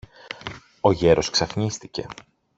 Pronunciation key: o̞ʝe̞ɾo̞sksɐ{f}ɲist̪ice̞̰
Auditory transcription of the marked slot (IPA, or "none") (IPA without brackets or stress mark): f